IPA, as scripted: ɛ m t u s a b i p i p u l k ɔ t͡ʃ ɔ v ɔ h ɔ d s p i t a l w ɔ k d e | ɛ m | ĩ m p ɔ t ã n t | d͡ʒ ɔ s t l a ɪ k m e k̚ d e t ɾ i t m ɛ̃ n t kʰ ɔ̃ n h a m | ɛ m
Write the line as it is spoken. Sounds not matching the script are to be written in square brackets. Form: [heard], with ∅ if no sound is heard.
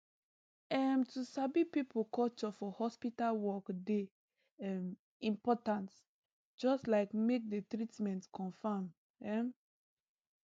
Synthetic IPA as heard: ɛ m t u s a b i p i p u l k ɔ t͡ʃ ɔ [f] ɔ h ɔ [∅] s p i t a l w ɔ k d e | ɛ m | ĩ m p ɔ t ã n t | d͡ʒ ɔ s t l a ɪ k m e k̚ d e t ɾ i t m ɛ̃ n t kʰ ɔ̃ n [f] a m | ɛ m